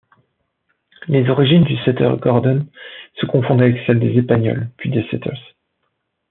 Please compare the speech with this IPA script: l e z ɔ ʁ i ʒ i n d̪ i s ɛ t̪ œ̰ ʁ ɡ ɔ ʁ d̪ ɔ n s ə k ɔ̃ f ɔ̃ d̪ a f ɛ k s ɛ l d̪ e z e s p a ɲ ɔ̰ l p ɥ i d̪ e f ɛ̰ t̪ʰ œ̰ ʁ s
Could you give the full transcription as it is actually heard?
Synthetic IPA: l e z ɔ ʁ i ʒ i n d̪ y s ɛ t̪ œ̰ ʁ ɡ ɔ ʁ d̪ ɔ n s ə k ɔ̃ f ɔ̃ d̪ a v ɛ k s ɛ l d̪ e z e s p a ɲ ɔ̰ l p ɥ i d̪ e s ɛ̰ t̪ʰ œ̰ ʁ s